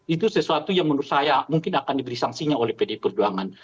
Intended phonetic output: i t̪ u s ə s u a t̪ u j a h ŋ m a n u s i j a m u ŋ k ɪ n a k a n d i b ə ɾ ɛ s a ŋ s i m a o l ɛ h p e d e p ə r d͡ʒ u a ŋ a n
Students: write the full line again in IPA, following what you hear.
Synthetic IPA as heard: i t̪ u s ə s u a t̪ u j a ŋ m ə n u s a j a m u ŋ k ɪ n a k a n d i b ə ɾ i s a ŋ s i ɲ a o l ɛ h p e d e p ə r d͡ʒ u a ŋ a n